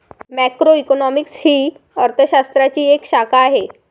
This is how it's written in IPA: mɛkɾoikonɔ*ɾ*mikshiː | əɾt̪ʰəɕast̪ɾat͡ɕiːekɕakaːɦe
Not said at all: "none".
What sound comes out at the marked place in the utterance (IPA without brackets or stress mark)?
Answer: none